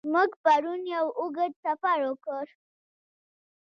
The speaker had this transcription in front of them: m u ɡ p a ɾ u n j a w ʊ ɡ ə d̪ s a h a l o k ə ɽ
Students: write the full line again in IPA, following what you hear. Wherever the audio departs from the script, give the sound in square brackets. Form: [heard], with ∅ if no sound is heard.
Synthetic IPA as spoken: m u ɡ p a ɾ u n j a w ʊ ɡ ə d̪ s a [f] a [ɾ] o k ə [ɾ]